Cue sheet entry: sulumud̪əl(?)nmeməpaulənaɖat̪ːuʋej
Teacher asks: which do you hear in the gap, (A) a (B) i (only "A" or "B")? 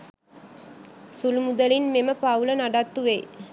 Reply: B